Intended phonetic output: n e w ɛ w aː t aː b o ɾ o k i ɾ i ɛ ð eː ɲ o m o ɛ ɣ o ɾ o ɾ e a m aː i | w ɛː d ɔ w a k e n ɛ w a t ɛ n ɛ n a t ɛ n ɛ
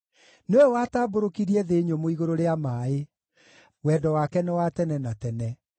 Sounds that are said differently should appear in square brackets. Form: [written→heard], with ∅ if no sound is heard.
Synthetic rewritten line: n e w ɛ w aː t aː b o ɾ o k i ɾ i ɛ ð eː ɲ o m o [ɛ→i] ɣ o ɾ o ɾ e a m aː [i→e] | w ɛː d ɔ w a k [e→ɛ] n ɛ w a t ɛ n ɛ n a t ɛ n ɛ